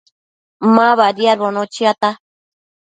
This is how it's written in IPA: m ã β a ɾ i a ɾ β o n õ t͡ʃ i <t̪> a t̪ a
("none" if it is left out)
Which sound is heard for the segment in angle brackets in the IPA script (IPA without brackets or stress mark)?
none